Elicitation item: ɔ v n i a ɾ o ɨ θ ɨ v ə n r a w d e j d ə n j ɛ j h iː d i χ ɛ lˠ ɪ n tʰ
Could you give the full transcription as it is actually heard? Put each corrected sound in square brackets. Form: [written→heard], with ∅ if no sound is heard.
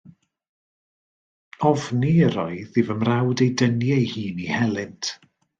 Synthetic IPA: ɔ v n i [a→ə] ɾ [o→ɔ] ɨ [θ→ð] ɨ v ə [n→m] r a w d e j d ə n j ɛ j h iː [d→n] i [χ→h] ɛ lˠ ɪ n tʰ